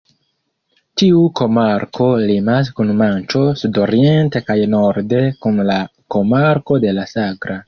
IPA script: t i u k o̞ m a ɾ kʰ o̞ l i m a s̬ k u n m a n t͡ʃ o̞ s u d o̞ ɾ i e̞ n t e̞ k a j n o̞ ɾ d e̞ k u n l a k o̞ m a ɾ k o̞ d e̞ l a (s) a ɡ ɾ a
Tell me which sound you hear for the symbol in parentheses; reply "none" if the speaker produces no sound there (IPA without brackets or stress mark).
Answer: s